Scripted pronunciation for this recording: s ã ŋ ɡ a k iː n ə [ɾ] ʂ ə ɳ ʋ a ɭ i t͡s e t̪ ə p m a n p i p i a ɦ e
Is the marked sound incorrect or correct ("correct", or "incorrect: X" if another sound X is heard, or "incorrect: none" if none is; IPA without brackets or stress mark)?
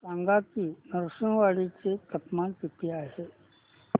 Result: correct